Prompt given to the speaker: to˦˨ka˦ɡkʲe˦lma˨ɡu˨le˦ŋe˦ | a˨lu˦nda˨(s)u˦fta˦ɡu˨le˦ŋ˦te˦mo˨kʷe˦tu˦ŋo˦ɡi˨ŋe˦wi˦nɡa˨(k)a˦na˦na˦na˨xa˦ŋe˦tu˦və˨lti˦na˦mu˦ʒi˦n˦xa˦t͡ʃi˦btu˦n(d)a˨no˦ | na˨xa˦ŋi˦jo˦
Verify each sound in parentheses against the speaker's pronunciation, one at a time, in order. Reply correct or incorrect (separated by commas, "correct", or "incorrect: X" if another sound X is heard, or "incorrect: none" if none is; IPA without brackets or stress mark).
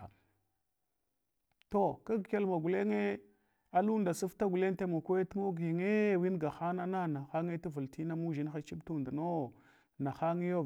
correct, incorrect: x, correct